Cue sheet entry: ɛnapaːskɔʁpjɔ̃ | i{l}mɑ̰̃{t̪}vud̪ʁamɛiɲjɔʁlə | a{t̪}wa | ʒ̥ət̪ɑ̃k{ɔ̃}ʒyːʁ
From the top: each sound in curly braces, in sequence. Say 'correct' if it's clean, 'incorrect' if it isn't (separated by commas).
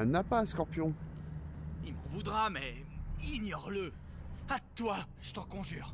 correct, incorrect, correct, correct